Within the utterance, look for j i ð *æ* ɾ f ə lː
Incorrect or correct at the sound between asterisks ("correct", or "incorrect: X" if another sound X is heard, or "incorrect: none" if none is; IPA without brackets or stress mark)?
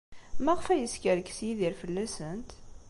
incorrect: i